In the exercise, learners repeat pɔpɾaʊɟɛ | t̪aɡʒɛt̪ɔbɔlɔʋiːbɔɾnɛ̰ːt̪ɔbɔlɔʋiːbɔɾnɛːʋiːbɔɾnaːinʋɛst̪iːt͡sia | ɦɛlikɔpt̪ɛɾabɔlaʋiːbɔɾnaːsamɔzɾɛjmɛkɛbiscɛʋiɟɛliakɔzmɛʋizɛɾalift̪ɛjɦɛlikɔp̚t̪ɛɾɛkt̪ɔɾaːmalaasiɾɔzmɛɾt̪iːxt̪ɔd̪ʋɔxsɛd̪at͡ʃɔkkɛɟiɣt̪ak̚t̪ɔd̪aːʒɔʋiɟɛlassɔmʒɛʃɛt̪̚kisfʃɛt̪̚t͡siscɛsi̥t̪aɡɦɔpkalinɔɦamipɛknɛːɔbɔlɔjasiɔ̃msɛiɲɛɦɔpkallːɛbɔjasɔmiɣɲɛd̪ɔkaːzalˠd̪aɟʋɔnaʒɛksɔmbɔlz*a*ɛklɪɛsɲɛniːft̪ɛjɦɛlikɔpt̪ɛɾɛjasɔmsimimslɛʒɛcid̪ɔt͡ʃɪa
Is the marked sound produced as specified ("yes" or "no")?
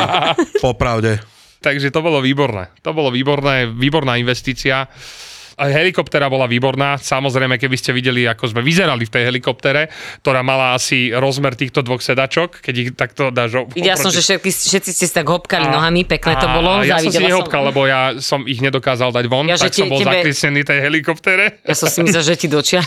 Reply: yes